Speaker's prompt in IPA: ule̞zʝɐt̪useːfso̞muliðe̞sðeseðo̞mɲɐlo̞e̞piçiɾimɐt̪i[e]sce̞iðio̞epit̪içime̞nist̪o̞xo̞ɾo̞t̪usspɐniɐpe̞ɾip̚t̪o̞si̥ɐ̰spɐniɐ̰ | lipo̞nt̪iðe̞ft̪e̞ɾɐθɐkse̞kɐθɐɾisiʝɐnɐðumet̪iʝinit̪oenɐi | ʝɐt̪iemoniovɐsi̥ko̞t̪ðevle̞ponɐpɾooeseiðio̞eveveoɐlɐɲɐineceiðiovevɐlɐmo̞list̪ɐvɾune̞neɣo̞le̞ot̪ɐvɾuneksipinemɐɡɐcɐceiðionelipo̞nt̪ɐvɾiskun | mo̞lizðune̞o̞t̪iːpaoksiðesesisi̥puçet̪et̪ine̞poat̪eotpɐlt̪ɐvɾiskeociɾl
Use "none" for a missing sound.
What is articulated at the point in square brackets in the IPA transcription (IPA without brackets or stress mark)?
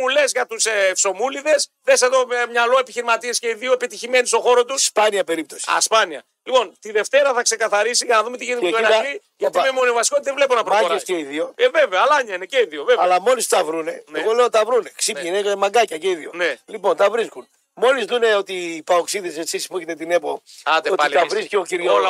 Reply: e